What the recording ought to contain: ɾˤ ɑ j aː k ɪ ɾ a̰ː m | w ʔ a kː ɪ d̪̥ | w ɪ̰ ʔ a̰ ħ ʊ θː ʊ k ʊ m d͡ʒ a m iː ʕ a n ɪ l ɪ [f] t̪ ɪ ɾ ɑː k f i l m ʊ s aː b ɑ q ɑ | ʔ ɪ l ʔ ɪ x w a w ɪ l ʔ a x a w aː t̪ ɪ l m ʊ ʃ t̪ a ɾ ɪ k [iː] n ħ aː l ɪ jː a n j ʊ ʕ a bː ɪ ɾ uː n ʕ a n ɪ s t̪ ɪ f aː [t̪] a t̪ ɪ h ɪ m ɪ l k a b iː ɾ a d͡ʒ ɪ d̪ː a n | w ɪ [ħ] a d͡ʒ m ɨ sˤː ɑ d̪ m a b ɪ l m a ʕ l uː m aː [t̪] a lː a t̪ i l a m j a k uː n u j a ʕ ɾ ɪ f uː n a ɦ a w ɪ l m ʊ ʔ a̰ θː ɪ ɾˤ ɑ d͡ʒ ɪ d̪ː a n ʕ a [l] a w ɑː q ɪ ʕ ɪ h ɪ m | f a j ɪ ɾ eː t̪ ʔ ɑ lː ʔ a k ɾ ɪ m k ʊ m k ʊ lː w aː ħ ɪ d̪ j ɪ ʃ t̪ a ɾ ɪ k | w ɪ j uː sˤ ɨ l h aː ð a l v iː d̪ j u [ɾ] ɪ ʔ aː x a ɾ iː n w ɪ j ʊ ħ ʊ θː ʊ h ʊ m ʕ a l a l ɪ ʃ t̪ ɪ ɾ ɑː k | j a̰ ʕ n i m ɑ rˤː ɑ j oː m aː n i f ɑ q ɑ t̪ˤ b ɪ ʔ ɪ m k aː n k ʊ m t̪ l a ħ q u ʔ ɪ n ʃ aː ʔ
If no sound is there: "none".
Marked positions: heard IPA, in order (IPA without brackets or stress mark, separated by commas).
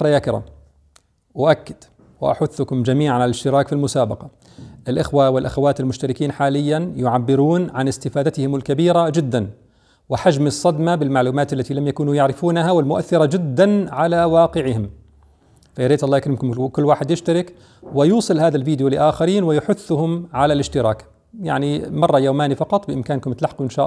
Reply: ʃ, iː, d̪, ħ, t̪, l, l